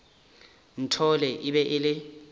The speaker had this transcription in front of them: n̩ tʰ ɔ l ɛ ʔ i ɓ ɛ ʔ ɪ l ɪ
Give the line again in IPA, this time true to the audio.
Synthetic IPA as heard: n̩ tʰ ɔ l ɛ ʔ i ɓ ɛ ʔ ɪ l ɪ